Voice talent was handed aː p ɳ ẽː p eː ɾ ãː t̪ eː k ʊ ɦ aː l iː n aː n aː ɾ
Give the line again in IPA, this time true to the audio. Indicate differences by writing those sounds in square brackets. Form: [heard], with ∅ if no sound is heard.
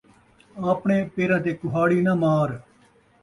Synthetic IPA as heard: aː p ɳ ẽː p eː ɾ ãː t̪ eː k ʊ ɦ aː [ɽ] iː n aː [m] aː ɾ